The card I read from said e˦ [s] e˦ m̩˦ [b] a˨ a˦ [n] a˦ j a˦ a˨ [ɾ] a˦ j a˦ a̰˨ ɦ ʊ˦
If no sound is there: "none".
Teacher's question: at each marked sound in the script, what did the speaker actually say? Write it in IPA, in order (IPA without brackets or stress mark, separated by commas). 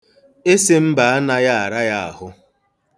s, b, n, ɾ